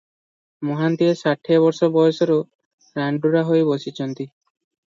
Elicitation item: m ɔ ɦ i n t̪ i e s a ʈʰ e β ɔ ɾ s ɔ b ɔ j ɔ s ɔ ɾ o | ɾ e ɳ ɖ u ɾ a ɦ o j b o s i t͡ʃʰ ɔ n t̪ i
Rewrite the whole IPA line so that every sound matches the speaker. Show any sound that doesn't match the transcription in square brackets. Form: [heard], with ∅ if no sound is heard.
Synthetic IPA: m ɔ ɦ [a] n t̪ i e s a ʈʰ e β ɔ ɾ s ɔ b ɔ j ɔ s ɔ ɾ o | ɾ [a] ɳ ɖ u ɾ a ɦ o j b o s i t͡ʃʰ ɔ n t̪ i